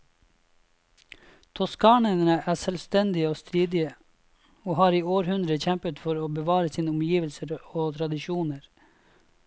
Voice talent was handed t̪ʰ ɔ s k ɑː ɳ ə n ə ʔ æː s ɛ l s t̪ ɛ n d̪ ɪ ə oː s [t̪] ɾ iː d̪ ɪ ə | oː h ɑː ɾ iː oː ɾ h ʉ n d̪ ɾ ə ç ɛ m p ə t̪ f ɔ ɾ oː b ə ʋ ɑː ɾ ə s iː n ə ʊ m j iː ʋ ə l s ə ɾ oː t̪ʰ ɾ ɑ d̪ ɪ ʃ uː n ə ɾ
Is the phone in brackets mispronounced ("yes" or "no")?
no